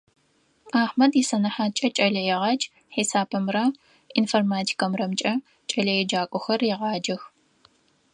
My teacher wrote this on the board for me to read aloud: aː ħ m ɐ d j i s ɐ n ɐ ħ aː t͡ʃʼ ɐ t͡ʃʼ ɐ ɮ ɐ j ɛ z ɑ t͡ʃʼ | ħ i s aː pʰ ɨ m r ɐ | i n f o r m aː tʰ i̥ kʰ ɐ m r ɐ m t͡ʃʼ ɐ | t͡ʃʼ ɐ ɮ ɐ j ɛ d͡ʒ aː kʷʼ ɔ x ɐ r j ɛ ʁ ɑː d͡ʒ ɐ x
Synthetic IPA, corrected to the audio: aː ħ m ɐ d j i s ɐ n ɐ ħ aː t͡ʃʼ ɐ t͡ʃʼ ɐ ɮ ɐ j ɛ ʁ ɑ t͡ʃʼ | ħ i s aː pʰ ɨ m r ɐ | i n f o r m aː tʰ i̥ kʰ ɐ m r ɐ m t͡ʃʼ ɐ | t͡ʃʼ ɐ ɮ ɐ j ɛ d͡ʒ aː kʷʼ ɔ x ɐ r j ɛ ʁ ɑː d͡ʒ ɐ x